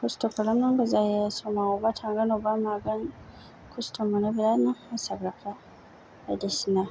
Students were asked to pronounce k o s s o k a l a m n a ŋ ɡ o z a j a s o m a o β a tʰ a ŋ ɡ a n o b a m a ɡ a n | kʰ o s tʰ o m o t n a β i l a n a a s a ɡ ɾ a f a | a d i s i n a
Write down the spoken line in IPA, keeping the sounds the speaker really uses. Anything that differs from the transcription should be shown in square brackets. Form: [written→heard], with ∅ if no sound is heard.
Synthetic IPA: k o s [s→t] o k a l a m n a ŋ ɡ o z a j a s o m a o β a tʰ a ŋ ɡ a n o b a m a ɡ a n | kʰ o s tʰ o m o [t→∅] n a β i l a n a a s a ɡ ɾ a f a | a d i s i n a